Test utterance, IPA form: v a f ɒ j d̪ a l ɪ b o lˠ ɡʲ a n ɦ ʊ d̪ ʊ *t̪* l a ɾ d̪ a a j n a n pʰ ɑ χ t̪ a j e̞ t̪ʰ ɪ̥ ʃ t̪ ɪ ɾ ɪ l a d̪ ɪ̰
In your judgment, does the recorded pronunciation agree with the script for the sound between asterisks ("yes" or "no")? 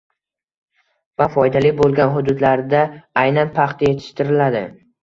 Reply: no